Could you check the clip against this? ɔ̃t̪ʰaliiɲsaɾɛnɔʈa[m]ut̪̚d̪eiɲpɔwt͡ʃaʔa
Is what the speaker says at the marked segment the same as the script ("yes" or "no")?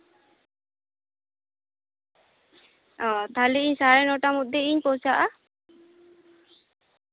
yes